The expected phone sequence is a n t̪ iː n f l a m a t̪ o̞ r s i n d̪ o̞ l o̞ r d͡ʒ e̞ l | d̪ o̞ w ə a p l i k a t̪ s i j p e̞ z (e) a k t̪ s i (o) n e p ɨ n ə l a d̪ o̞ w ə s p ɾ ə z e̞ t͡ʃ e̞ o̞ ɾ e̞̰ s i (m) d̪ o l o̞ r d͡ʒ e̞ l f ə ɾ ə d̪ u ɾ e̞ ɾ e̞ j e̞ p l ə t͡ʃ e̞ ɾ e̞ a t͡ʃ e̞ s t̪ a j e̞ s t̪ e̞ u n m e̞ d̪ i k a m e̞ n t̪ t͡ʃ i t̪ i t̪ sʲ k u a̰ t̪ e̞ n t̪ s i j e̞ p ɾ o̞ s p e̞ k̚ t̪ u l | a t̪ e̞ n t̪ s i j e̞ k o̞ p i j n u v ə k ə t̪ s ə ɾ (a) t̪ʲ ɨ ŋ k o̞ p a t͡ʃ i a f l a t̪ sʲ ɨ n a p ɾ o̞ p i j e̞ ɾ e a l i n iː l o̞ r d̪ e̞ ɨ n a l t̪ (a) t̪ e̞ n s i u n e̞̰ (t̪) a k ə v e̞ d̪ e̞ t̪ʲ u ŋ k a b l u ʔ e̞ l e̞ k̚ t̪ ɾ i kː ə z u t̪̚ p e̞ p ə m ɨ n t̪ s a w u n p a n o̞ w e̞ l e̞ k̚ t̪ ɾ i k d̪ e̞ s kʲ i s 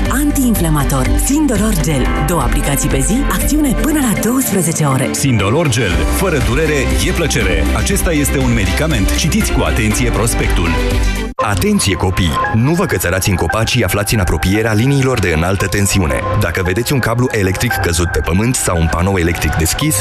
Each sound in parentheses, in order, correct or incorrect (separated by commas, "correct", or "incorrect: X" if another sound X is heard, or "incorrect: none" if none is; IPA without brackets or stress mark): incorrect: i, incorrect: u, incorrect: n, correct, incorrect: ə, incorrect: d̪